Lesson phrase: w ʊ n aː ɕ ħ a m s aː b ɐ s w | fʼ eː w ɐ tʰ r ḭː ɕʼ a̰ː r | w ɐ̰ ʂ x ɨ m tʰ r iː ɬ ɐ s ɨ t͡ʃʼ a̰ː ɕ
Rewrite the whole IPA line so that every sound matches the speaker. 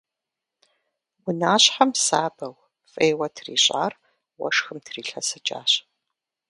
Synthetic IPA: w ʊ n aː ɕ ħ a m s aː b ɐ w | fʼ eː w ɐ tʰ r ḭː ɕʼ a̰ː r | w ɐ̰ ʂ x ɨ m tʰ r iː ɬ ɐ s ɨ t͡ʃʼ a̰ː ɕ